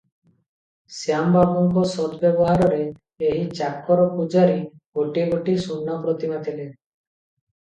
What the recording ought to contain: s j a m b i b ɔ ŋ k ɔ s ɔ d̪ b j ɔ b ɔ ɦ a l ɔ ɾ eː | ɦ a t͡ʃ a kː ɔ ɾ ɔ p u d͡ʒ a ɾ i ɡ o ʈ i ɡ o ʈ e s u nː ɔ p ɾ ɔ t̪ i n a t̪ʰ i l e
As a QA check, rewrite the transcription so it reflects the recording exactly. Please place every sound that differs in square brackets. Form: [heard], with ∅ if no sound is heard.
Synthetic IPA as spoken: s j a m b [a] b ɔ ŋ k ɔ s ɔ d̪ b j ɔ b ɔ ɦ a [ɾ] ɔ ɾ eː | ɦ [i] t͡ʃ a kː ɔ ɾ ɔ p u d͡ʒ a ɾ i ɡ o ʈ i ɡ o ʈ [i] s u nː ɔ p ɾ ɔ t̪ i [m] a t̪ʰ i l e